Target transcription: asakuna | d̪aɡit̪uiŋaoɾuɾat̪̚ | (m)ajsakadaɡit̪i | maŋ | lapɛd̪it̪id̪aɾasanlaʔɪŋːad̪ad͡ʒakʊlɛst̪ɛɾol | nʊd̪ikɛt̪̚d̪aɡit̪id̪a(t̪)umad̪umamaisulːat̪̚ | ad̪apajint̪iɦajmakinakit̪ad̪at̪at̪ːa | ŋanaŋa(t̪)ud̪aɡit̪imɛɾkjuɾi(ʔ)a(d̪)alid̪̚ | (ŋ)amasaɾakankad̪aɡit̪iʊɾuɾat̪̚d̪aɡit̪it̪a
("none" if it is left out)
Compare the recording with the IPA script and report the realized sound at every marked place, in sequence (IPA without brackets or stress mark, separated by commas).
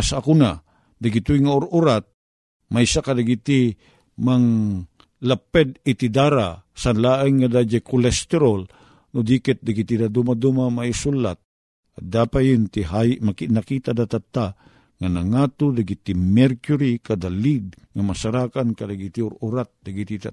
m, d̪, t̪, k, d̪, ŋ